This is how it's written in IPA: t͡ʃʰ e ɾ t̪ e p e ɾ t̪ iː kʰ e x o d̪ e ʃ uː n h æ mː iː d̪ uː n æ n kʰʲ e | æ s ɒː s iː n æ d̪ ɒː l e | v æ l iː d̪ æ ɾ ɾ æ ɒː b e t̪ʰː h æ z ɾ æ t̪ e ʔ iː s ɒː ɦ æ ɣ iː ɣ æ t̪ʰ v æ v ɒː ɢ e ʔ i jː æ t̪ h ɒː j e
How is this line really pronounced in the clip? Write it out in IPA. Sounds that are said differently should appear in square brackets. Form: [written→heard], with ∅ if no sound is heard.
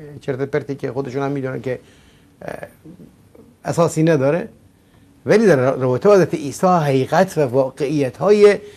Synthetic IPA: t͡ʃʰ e ɾ t̪ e p e ɾ t̪ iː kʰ e x o d̪ e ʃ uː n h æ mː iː d̪ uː n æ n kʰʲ e | æ s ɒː s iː n æ d̪ ɒː [l→ɾ] e | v æ l iː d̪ æ ɾ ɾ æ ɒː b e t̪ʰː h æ z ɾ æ t̪ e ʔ iː s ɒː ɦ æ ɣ iː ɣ æ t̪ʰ v æ v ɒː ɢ e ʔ i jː æ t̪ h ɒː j e